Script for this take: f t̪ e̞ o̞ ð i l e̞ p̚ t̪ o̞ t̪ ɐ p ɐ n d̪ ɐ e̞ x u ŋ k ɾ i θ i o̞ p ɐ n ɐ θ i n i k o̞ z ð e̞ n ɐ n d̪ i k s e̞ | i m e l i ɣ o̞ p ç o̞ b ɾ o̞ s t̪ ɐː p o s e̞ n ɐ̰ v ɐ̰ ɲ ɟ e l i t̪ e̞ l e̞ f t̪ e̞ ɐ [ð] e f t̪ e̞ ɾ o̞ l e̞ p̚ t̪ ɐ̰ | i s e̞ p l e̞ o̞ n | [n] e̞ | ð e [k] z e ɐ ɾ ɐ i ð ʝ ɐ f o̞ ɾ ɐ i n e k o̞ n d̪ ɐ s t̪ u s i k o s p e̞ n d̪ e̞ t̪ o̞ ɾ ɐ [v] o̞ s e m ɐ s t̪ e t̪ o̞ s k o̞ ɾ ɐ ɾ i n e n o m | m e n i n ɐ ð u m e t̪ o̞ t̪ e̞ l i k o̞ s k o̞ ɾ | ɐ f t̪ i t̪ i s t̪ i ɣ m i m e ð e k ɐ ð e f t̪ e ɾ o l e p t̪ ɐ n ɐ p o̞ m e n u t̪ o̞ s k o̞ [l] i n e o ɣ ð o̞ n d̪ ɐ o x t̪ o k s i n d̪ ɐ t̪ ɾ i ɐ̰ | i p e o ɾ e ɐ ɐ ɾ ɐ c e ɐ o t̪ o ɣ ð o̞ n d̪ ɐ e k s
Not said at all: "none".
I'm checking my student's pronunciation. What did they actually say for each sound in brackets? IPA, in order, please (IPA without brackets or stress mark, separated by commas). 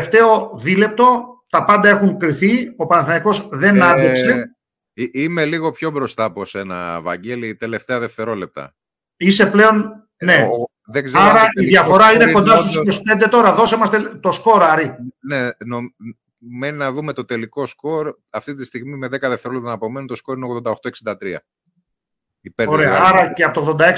ð, n, ɡ, ð, ɾ